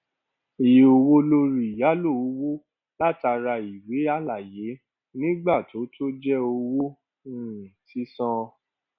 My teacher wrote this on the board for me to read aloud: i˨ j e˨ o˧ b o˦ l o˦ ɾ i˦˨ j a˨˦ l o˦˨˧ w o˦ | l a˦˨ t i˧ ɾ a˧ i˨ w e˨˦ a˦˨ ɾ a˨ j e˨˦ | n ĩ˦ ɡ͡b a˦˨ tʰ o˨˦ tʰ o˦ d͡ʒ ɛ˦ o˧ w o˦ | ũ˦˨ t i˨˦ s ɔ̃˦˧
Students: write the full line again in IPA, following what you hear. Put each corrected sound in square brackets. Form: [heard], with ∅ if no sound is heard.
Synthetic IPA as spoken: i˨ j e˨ o˧ [w] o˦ l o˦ ɾ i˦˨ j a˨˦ l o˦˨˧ w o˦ | l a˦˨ t [a˧] ɾ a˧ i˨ w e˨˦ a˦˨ [l] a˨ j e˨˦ | n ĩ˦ ɡ͡b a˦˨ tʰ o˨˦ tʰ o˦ d͡ʒ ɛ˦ o˧ w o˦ | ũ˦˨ t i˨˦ s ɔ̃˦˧